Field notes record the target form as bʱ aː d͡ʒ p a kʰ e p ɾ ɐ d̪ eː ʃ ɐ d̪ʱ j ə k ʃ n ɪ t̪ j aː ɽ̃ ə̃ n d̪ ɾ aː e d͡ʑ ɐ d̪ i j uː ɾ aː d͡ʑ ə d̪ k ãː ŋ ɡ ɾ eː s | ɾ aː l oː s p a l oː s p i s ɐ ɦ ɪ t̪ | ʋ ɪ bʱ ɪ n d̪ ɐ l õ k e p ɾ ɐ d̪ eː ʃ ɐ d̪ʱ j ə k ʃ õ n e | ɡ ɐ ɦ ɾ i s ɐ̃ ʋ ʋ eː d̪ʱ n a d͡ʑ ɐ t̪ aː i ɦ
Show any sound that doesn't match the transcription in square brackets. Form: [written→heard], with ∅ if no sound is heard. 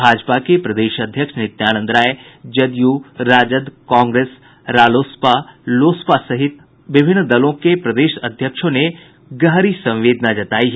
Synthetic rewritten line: bʱ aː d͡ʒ p a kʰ e p ɾ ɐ d̪ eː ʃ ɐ d̪ʱ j ə k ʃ n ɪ t̪ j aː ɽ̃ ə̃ n d̪ ɾ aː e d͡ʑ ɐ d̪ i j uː ɾ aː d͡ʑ ə d̪ k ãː ŋ ɡ ɾ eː s | ɾ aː l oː s p a l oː s p [i→a] s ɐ ɦ ɪ t̪ | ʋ ɪ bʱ ɪ n d̪ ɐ l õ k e p ɾ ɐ d̪ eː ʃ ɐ d̪ʱ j ə k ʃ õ n e | ɡ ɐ ɦ ɾ i s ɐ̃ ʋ ʋ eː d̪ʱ n a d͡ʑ ɐ t̪ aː i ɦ